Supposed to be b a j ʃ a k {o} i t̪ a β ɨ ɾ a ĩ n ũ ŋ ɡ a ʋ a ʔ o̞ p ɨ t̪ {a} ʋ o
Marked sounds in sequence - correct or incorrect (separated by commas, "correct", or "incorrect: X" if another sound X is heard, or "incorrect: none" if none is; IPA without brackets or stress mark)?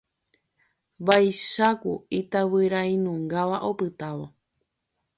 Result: incorrect: u, correct